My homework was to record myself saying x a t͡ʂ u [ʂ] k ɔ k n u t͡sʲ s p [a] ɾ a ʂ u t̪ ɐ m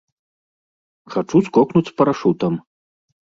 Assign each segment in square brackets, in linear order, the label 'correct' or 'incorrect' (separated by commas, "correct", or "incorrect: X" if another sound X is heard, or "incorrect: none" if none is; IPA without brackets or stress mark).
incorrect: s, incorrect: ɐ